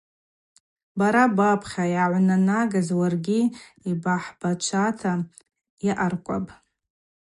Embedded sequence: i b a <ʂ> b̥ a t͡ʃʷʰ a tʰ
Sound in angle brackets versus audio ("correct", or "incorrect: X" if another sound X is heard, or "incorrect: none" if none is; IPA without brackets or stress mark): incorrect: ħ